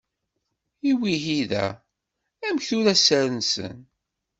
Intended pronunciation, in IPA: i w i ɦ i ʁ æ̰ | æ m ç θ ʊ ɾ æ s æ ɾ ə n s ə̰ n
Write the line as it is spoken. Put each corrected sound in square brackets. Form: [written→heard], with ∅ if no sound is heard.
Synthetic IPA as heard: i w i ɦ i [ʁ→ð] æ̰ | æ m ç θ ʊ ɾ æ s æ ɾ ə n s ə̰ n